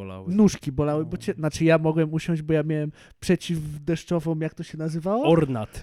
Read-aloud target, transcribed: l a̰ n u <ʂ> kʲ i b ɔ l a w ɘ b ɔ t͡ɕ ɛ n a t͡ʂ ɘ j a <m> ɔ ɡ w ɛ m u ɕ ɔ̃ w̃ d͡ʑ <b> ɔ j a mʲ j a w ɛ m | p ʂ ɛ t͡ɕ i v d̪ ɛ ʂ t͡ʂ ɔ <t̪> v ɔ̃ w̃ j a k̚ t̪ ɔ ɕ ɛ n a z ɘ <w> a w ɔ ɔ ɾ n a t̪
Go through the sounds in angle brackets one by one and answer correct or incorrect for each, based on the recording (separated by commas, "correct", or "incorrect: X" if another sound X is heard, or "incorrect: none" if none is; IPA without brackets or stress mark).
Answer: correct, correct, correct, incorrect: none, incorrect: v